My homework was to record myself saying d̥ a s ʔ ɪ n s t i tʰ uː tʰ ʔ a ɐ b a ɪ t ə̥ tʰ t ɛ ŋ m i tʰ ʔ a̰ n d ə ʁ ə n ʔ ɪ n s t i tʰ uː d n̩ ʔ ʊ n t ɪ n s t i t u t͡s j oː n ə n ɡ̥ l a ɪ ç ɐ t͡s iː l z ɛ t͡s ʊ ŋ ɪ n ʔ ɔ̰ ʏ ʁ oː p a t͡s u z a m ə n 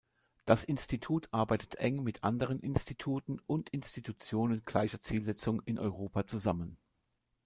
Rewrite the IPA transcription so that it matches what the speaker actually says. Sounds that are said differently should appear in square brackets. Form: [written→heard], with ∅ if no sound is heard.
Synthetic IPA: d̥ a s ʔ ɪ n s t i tʰ uː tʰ ʔ a ɐ b a ɪ t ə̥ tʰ [t→ʔ] ɛ ŋ m [i→ɪ] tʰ ʔ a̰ n d ə ʁ ə n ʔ ɪ n s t i tʰ uː [d→t] n̩ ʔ ʊ n t ɪ n s t i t u t͡s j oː n ə n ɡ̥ l a ɪ ç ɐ t͡s iː l z ɛ t͡s ʊ ŋ ɪ n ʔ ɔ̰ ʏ ʁ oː p a t͡s u z a m ə n

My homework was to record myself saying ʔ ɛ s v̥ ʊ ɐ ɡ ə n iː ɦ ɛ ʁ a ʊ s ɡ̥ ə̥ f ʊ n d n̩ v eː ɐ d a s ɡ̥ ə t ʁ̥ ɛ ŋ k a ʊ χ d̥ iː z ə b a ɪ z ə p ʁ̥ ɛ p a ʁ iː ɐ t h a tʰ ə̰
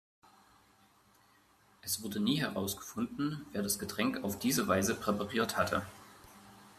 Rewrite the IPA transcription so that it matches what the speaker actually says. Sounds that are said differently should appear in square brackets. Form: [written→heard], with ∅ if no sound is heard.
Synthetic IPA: ʔ ɛ s v̥ ʊ ɐ [ɡ→d] ə n iː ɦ ɛ ʁ a ʊ s ɡ̥ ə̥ f ʊ n d n̩ v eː ɐ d a s ɡ̥ ə t ʁ̥ ɛ ŋ k a ʊ [χ→f] d̥ iː z ə [b→v] a ɪ z ə p ʁ̥ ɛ p a ʁ iː ɐ t h a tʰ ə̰

